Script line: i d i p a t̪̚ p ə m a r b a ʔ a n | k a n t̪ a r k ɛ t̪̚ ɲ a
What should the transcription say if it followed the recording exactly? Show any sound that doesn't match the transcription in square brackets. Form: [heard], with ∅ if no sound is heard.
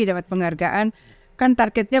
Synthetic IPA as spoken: i d [a] p a t̪̚ p ə [ŋ] a r [ɡ] a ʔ a n | k a n t̪ a r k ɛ t̪̚ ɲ a